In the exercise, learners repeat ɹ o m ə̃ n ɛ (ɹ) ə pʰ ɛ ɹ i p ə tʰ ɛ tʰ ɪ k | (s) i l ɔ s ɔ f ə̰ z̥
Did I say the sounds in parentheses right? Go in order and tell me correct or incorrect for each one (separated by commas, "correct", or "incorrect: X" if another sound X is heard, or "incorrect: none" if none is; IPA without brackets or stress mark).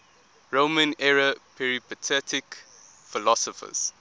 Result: correct, incorrect: f